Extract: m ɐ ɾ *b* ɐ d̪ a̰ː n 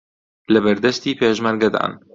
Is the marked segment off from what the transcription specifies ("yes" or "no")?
yes